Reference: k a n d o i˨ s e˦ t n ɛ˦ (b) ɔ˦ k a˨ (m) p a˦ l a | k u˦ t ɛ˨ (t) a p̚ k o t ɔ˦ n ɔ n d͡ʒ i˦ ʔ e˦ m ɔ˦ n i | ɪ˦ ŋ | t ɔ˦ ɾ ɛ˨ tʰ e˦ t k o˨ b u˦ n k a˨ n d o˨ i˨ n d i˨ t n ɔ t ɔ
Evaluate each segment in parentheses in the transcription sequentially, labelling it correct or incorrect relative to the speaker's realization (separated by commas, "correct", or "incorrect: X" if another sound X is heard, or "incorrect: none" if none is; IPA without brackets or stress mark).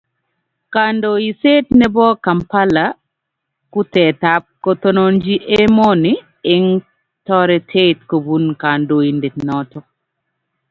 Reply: correct, correct, correct